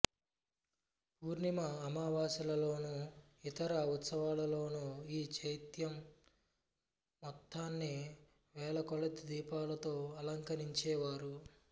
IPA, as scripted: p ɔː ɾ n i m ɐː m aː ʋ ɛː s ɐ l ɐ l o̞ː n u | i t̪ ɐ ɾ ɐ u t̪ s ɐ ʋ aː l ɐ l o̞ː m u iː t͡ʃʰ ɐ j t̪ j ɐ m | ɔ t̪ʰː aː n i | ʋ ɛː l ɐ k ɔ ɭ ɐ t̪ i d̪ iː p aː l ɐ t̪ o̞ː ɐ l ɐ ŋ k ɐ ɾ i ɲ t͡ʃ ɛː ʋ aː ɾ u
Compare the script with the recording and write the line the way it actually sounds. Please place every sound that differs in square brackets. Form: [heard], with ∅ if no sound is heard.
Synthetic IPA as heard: p [uː] ɾ n i m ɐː m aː ʋ [aː] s ɐ l ɐ l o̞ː n u | i t̪ ɐ ɾ ɐ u t̪ s ɐ ʋ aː l ɐ l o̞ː [n] u iː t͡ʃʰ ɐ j t̪ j ɐ m | ɔ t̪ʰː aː [nː] i | ʋ ɛː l ɐ k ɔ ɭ ɐ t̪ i d̪ iː p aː l ɐ t̪ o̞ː ɐ l ɐ ŋ k ɐ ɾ i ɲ t͡ʃ ɛː ʋ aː ɾ u